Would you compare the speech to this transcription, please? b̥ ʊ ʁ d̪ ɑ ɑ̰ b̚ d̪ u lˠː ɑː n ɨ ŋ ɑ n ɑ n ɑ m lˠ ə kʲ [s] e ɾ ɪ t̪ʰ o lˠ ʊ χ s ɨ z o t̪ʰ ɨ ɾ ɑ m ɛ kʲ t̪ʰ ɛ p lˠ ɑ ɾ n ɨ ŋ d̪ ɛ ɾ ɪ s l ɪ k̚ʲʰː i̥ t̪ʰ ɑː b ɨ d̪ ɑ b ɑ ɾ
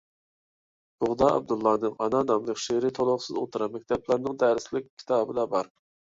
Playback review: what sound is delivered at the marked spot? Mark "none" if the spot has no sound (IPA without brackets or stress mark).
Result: ʃ